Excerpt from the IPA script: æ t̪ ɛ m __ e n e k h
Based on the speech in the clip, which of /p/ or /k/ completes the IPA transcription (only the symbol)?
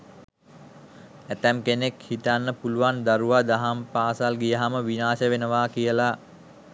k